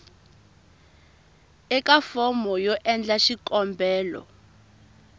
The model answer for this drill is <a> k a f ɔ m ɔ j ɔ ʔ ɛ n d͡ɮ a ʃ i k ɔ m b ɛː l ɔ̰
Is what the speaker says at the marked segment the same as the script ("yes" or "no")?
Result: no